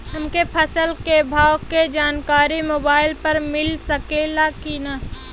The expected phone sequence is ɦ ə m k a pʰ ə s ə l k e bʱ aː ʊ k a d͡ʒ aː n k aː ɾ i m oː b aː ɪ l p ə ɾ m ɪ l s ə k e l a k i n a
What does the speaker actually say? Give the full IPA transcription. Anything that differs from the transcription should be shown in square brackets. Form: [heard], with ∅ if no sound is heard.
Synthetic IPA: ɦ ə m k [e] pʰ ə s ə l k e bʱ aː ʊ k [e] d͡ʒ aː n k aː ɾ i m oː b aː ɪ l p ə ɾ m ɪ l s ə k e l a k i n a